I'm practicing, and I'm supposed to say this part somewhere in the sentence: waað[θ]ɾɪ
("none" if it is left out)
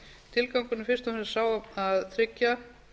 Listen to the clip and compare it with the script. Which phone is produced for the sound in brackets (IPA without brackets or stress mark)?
θ